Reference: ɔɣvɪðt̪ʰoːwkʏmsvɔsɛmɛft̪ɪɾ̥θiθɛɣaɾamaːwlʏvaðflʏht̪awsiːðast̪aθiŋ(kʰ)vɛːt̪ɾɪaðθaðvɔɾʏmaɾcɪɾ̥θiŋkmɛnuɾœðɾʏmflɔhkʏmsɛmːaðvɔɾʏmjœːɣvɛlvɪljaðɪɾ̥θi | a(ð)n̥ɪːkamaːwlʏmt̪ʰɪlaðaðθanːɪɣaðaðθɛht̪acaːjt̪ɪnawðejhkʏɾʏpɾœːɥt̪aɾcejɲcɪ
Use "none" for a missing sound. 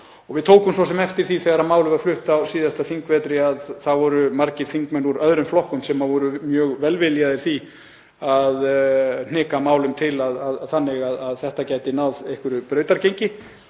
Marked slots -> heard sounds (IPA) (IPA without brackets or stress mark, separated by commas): k, ð